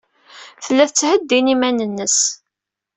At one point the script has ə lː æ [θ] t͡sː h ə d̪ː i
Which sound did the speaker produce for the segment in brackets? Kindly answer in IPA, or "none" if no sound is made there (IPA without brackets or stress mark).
θ